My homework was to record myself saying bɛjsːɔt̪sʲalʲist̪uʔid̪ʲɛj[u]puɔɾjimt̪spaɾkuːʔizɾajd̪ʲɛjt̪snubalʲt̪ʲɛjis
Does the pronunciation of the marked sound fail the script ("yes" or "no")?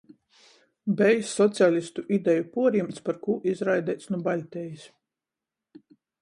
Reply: no